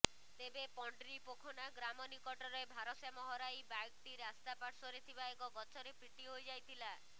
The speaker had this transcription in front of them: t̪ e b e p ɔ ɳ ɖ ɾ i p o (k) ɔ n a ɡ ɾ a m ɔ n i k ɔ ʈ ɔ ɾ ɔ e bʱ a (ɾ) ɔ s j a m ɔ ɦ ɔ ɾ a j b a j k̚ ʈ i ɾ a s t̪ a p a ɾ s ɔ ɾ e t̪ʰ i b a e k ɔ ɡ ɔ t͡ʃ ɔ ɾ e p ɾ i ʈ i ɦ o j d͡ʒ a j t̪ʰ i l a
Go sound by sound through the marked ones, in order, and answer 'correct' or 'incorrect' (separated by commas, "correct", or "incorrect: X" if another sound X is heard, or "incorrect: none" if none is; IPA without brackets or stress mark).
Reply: incorrect: kʰ, correct